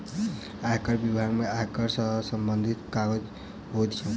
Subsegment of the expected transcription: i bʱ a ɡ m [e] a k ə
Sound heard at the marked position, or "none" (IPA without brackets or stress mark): e